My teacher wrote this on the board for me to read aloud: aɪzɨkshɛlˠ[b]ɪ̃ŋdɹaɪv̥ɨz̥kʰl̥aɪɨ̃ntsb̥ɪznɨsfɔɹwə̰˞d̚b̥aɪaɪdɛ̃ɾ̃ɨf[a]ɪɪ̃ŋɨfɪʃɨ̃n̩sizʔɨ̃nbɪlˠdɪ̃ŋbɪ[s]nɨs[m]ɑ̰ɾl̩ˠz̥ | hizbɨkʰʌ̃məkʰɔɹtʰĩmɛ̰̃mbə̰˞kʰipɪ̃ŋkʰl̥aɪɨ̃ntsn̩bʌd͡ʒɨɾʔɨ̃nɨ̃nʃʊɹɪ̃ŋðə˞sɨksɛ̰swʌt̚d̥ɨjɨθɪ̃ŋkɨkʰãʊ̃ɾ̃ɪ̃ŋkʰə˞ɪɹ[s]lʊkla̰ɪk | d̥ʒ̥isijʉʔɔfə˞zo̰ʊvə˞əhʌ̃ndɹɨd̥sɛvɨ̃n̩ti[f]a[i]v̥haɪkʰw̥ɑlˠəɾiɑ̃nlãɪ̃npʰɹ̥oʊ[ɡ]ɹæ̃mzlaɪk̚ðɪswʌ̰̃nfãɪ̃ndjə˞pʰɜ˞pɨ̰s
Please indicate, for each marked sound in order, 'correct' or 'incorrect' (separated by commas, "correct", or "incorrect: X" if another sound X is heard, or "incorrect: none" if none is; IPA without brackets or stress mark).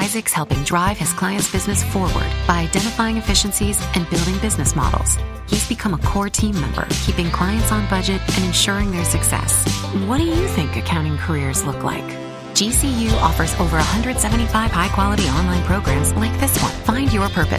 incorrect: p, correct, incorrect: z, correct, incorrect: z, correct, incorrect: ɪ, correct